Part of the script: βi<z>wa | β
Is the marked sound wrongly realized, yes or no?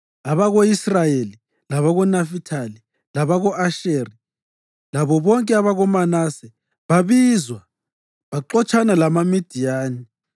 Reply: no